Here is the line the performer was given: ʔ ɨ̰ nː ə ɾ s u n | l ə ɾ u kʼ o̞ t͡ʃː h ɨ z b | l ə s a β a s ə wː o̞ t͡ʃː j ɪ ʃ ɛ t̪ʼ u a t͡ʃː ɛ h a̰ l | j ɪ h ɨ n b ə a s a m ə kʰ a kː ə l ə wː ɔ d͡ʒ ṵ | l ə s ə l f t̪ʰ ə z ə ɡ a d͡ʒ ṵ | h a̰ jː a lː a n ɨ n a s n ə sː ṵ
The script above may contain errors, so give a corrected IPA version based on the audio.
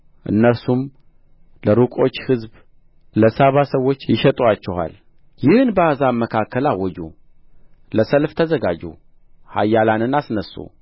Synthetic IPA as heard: ʔ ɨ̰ nː ə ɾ s u m | l ə ɾ u kʼ o̞ t͡ʃː h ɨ z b | l ə s a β a s ə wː o̞ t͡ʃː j ɪ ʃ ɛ t̪ʼ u a t͡ʃː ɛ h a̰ l | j ɪ h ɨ n b ə a z a m ə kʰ a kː ə l a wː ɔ d͡ʒ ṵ | l ə s ə l f t̪ʰ ə z ə ɡ a d͡ʒ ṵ | h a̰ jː a l a n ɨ n a s n ə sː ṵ